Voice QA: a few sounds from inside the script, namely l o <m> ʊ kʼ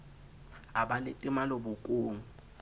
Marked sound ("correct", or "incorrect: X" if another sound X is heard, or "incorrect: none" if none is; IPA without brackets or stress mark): incorrect: b